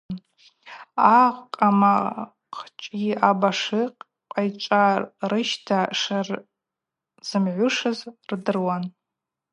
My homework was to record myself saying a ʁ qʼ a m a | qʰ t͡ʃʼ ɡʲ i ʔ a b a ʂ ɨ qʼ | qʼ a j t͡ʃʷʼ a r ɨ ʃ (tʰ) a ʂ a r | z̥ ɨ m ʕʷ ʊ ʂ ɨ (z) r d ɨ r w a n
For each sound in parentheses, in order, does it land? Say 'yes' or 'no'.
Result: yes, yes

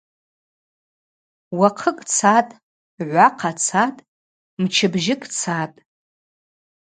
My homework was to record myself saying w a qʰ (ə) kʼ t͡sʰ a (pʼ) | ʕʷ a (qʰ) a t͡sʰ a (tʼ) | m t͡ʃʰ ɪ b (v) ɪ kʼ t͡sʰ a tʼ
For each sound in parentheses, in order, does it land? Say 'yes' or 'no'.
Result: yes, no, yes, yes, no

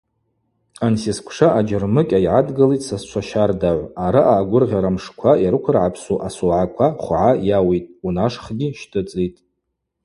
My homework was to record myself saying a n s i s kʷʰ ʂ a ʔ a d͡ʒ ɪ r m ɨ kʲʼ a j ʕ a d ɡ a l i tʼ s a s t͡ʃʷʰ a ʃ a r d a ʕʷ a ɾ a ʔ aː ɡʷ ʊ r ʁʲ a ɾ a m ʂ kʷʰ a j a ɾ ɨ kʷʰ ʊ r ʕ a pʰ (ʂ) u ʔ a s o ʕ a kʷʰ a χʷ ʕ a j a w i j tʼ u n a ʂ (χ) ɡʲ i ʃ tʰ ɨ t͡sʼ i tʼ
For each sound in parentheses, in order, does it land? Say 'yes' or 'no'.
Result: no, yes

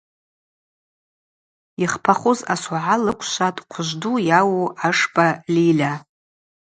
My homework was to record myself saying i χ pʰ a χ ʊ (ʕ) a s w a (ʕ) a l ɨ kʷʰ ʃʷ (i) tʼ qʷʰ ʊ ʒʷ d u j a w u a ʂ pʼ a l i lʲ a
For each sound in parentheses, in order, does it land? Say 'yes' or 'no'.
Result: no, yes, no

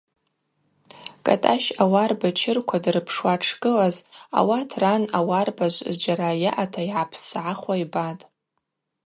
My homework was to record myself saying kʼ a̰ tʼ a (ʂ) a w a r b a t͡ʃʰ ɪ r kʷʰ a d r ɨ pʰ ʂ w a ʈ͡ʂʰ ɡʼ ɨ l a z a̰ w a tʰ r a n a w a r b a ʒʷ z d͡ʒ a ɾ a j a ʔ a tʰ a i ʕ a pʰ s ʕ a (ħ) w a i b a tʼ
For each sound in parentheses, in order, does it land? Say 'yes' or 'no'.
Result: no, no

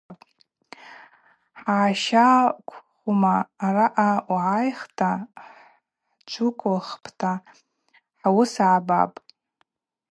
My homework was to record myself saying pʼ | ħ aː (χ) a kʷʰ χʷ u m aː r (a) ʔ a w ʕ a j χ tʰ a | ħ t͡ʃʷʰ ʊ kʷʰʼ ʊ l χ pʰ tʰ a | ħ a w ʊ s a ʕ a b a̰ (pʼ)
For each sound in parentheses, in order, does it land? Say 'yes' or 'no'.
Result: no, yes, yes

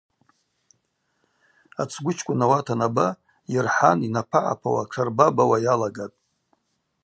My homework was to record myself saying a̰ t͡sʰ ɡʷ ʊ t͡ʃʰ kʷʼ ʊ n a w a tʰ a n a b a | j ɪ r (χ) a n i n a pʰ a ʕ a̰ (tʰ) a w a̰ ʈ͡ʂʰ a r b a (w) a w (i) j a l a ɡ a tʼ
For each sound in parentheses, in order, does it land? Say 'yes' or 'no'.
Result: no, no, no, no

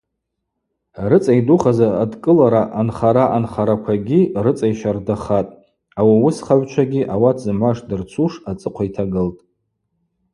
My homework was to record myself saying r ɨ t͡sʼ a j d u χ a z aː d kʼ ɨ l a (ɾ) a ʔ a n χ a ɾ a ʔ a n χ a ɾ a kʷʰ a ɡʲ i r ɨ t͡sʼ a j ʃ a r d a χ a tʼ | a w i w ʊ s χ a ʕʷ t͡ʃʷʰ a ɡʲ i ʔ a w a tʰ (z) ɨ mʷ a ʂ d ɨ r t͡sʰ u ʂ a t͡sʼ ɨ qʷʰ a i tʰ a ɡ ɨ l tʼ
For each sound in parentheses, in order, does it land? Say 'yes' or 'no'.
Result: yes, yes

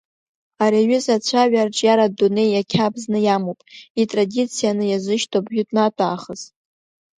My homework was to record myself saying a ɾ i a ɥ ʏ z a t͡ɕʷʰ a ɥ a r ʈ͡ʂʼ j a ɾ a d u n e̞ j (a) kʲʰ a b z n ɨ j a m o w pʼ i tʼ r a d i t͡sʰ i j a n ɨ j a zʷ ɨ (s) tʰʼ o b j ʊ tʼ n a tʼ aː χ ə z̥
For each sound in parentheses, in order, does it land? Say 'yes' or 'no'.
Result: yes, no

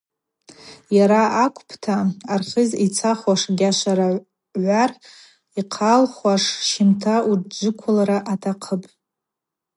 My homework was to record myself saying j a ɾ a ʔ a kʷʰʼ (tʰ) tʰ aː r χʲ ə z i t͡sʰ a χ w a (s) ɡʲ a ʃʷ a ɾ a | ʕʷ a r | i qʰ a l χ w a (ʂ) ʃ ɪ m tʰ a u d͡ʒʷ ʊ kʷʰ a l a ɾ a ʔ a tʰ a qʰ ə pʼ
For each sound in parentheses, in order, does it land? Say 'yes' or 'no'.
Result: no, no, yes

